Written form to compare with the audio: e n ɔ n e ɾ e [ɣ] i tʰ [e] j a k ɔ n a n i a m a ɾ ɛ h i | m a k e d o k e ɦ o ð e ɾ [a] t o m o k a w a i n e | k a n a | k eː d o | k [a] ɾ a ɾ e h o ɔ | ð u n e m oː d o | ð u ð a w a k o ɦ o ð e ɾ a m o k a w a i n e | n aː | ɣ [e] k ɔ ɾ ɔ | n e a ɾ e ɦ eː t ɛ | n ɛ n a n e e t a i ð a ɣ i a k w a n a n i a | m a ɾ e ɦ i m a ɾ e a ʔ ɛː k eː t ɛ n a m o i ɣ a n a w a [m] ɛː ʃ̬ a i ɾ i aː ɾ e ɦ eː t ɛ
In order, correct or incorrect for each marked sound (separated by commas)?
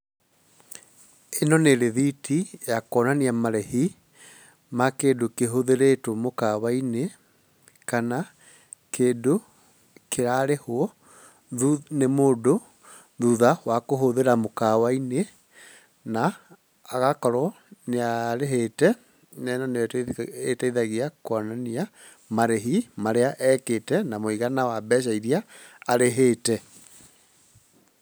incorrect, incorrect, incorrect, incorrect, incorrect, incorrect